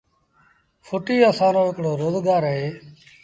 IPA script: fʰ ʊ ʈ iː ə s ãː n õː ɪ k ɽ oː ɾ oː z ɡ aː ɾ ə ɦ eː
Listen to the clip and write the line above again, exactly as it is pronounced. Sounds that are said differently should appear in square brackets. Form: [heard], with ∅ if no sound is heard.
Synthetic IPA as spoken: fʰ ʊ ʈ iː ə s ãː n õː ɪ k ɽ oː ɾ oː z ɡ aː ɾ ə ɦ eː